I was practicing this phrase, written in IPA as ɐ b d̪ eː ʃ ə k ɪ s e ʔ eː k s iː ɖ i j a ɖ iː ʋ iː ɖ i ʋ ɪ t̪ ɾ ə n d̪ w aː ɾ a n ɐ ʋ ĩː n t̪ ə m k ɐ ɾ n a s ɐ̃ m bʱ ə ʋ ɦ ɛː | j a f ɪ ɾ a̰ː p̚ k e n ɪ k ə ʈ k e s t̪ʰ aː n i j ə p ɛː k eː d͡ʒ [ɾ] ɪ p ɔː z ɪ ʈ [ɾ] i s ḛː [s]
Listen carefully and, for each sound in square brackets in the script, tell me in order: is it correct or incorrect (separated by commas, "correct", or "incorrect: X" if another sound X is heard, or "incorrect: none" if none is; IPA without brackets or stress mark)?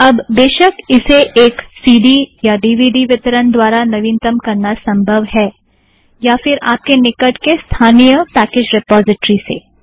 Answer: correct, correct, incorrect: none